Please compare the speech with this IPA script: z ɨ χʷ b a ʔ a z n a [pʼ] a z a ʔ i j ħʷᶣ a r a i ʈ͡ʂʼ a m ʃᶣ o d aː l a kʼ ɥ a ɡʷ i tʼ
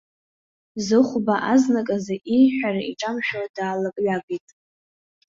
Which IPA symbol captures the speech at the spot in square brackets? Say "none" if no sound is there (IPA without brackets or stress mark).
kʼ